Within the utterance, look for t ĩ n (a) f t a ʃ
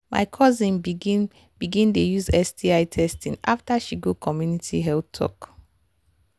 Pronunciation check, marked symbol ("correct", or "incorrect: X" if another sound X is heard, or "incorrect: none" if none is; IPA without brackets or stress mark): correct